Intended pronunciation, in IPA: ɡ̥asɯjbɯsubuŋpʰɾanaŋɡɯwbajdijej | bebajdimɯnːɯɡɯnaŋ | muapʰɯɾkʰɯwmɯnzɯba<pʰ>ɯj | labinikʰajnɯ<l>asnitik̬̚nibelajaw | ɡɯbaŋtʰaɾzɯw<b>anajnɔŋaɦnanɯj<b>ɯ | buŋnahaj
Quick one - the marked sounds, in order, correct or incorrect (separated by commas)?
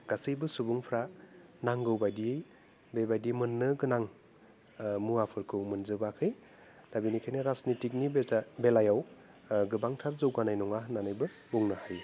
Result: incorrect, incorrect, incorrect, correct